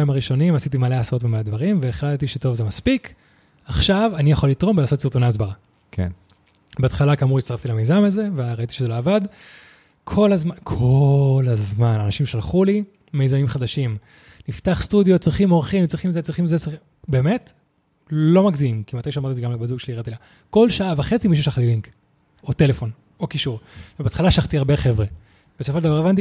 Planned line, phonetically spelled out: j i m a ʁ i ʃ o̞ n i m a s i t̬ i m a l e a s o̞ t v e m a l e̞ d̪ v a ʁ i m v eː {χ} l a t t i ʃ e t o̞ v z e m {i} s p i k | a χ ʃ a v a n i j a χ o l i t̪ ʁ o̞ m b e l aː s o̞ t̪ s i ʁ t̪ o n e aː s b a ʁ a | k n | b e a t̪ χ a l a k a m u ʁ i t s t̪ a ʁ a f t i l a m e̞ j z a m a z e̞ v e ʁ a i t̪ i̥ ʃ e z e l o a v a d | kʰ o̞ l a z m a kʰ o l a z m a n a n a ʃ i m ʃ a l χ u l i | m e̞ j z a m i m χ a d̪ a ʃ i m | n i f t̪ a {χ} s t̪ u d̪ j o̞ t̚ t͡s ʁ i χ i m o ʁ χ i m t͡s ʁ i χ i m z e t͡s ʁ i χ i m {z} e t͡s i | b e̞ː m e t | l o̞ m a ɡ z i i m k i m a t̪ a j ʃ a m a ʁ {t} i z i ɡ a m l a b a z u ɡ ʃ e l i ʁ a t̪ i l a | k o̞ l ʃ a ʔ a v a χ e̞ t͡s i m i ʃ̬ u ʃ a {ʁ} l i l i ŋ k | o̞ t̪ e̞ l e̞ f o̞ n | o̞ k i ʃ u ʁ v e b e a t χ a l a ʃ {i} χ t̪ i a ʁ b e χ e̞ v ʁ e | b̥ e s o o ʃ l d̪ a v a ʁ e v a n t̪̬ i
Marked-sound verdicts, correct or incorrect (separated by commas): correct, incorrect, correct, correct, correct, incorrect, incorrect